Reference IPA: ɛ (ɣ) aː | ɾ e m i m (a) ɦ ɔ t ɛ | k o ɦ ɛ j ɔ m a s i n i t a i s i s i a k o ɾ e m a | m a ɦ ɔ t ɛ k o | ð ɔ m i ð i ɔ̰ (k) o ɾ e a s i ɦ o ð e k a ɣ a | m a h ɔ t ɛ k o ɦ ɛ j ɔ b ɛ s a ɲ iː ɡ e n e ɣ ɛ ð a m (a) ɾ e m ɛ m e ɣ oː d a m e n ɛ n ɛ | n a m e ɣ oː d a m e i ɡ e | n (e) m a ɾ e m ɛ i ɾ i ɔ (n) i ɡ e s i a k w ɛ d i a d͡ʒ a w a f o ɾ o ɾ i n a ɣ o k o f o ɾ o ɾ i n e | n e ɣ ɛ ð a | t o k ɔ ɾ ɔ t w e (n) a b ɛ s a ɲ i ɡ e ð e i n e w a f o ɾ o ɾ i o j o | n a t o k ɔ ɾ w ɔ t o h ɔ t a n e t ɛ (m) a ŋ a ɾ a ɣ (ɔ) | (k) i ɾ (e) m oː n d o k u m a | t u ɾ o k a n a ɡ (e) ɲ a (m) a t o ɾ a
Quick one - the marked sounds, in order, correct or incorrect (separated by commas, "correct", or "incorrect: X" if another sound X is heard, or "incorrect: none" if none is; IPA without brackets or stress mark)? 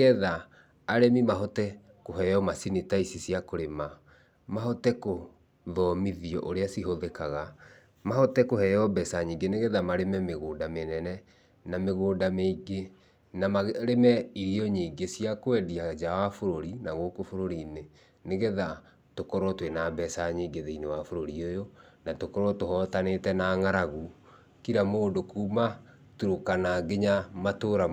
incorrect: ð, correct, incorrect: ʔ, correct, incorrect: a, incorrect: ɲ, correct, incorrect: n, incorrect: u, correct, incorrect: a, correct, correct